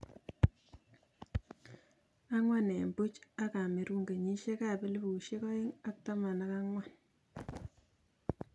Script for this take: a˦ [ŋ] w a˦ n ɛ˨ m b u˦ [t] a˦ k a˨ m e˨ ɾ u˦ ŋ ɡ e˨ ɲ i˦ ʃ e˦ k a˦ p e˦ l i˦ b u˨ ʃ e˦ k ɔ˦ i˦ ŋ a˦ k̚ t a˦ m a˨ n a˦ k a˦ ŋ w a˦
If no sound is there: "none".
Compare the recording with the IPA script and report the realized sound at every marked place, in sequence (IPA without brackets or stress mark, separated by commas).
ŋ, t͡ʃ